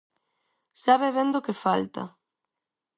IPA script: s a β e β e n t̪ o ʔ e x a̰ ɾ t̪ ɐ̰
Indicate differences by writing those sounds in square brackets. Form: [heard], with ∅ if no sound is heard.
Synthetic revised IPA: s a β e β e n [d̪] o [k] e [f] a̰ [l] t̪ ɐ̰